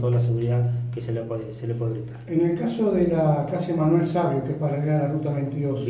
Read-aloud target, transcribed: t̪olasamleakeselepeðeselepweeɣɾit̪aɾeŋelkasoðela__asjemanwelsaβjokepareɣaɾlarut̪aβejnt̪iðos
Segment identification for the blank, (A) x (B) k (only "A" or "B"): B